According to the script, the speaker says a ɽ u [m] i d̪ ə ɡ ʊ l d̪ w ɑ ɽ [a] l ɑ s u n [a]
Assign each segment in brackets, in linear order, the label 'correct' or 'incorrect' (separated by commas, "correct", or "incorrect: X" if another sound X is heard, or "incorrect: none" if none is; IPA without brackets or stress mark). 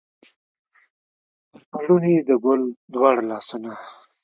incorrect: n, correct, correct